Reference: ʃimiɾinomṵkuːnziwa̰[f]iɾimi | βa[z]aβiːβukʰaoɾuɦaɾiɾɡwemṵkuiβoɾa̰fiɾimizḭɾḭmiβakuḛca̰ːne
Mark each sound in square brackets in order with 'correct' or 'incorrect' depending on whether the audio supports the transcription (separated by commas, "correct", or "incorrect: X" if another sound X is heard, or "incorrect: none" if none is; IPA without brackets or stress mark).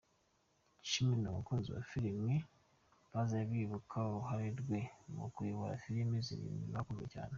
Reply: correct, correct